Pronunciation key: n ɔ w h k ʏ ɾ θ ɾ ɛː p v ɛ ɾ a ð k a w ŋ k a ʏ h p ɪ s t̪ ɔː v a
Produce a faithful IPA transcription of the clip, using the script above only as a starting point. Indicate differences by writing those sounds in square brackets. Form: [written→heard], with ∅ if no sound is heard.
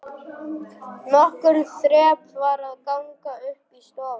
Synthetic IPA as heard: n ɔ [w→∅] h k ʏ ɾ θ ɾ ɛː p v [ɛ→a] ɾ a ð k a w ŋ k a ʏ h p [ɪ→i] s t̪ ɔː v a